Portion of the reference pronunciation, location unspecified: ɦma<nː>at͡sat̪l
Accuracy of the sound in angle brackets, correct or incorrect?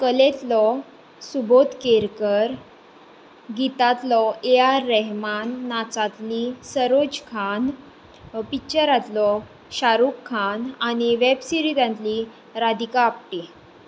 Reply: correct